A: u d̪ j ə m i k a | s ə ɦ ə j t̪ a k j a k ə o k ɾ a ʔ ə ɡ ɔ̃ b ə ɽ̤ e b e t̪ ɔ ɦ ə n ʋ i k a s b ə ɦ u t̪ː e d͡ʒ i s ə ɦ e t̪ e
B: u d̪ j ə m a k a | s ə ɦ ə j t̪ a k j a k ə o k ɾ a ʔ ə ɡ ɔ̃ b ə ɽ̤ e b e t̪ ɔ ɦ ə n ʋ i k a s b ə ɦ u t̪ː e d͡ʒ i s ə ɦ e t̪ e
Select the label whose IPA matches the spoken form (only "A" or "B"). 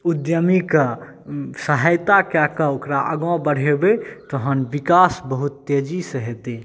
A